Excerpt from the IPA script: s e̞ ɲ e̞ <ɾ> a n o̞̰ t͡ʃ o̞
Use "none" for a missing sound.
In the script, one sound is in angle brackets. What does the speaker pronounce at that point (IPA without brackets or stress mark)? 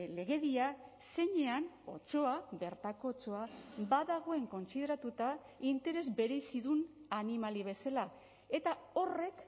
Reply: none